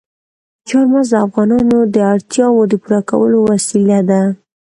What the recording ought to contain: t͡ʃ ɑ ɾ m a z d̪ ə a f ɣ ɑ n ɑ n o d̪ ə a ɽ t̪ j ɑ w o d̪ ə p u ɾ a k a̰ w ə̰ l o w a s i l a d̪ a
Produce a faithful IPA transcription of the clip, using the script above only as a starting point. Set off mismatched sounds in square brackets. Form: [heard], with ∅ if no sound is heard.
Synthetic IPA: t͡ʃ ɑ ɾ m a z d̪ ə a f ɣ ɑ n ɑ n o d̪ ə a ɽ t̪ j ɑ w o d̪ ə p u ɾ a k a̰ w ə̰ l o w a s i l a d̪ a

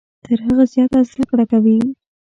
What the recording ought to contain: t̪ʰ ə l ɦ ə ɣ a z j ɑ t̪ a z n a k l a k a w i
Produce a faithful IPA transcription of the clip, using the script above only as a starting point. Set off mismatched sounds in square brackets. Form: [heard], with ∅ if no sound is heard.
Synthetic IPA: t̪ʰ ə [ɾ] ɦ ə ɣ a z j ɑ t̪ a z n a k [ɽ] a k a w i

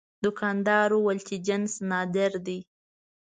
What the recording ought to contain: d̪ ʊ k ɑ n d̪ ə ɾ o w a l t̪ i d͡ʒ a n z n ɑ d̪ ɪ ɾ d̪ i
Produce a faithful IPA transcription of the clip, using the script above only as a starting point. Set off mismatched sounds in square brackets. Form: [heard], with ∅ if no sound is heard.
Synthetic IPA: d̪ ʊ k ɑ n d̪ [ɑ] ɾ o w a l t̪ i d͡ʒ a n [s] n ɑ d̪ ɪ ɾ d̪ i

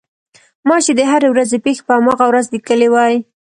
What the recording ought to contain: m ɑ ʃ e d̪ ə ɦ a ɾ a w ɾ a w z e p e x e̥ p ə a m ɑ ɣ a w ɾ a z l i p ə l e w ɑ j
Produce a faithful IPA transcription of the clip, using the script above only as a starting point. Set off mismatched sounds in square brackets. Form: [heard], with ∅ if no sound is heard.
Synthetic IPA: m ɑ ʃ e d̪ ə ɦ a ɾ [e] w ɾ a [∅] z e p e x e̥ p ə a m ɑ ɣ a w ɾ a z l i [k] ə l e w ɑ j

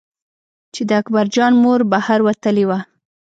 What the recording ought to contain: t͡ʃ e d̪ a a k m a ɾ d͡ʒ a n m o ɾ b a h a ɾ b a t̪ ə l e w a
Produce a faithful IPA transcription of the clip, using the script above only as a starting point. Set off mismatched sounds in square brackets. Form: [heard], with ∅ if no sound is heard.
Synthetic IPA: t͡ʃ e d̪ [ə] a k [b] a ɾ d͡ʒ [ɑ] n m o ɾ b a h a ɾ [w] a t̪ ə l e w a

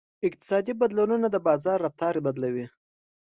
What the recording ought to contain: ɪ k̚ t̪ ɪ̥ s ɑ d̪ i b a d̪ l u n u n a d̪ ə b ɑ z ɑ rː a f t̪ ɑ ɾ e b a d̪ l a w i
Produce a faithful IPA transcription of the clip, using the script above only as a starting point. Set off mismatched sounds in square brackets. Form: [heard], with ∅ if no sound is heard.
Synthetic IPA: ɪ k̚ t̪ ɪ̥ s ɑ d̪ i b a d̪ l u n u n a d̪ ə b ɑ z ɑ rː a f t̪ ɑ ɾ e b a d̪ l a w i

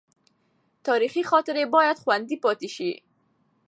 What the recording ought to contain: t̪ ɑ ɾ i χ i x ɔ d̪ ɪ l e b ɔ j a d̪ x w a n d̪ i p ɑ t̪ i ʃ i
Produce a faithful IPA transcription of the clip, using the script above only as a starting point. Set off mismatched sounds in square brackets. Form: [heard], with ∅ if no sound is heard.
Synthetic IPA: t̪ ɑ ɾ i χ i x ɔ [t̪] ɪ [ɾ] e b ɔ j a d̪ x w a n d̪ i p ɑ t̪ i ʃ i

